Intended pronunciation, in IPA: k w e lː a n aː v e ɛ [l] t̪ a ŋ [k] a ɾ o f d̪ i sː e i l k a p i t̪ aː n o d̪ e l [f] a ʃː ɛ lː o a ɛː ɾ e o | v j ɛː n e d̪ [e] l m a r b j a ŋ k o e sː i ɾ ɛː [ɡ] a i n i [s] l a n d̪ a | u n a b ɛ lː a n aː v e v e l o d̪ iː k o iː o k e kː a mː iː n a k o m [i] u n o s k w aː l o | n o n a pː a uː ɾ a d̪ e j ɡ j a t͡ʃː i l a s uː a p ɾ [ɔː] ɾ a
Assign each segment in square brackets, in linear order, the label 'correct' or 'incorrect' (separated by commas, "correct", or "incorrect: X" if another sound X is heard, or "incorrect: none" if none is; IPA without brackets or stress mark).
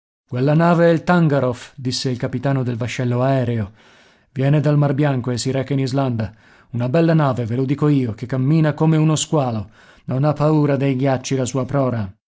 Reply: correct, incorrect: ɡ, incorrect: v, incorrect: a, incorrect: k, incorrect: z, incorrect: e, correct